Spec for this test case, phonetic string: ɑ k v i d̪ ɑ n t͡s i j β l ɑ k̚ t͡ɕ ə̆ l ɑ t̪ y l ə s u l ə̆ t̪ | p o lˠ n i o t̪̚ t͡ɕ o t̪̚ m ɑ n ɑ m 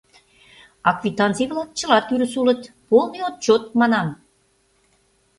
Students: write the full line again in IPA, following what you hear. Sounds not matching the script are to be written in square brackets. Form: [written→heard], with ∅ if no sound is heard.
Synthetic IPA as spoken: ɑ k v i [d̪→t̪] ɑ n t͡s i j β l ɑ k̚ t͡ɕ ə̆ l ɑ t̪ y [l→ɾ] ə s u l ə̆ t̪ | p o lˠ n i o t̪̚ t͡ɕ o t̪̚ m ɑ n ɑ m